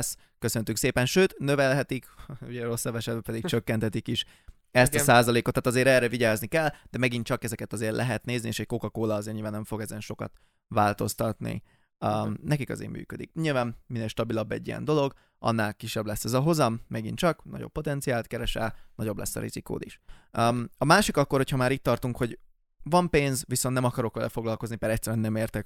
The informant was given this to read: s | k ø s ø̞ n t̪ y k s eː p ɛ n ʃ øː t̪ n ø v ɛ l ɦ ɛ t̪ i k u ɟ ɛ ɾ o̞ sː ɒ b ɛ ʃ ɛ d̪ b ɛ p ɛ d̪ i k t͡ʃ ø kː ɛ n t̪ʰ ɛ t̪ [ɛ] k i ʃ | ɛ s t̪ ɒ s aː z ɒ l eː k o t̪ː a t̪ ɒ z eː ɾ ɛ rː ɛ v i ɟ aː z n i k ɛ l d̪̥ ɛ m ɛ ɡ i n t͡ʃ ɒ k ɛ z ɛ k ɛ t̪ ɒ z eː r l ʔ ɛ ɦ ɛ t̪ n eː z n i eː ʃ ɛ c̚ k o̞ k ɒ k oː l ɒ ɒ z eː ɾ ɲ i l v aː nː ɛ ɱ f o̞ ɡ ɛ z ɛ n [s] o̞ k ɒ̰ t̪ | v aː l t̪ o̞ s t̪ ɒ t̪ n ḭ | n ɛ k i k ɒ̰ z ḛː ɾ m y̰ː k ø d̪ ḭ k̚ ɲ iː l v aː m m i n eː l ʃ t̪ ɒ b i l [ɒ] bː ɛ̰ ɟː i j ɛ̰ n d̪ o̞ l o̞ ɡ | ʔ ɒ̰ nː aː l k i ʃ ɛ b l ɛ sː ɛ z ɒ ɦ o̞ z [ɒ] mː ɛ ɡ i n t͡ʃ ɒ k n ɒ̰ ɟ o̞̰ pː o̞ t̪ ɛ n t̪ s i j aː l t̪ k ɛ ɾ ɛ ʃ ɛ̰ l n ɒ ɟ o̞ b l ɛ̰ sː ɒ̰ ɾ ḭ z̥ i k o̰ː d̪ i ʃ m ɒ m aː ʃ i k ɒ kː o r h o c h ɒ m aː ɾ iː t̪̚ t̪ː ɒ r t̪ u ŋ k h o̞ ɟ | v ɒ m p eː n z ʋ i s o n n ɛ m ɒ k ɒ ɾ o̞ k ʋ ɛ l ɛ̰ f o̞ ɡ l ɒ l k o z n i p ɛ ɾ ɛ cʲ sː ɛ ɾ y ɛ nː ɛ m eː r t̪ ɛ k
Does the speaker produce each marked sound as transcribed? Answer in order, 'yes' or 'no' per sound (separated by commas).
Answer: no, no, yes, yes